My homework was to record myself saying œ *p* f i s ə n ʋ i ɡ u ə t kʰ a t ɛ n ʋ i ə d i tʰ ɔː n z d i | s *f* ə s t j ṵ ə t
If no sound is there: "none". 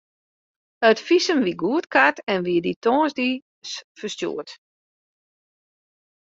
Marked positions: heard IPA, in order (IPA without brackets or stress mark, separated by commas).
t, f